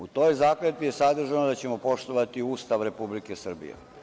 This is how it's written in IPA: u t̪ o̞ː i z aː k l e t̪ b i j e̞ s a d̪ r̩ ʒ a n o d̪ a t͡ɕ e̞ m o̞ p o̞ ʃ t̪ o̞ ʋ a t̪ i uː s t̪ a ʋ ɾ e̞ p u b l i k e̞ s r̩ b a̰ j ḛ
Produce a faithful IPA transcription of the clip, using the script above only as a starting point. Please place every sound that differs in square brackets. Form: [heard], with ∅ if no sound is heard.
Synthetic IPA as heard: u t̪ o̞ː [j] z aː k l e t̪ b i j e̞ s a d̪ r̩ ʒ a n o d̪ a t͡ɕ e̞ m o̞ p o̞ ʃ t̪ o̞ ʋ a t̪ i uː s t̪ a ʋ ɾ e̞ p u b l i k e̞ s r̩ b [ḭ] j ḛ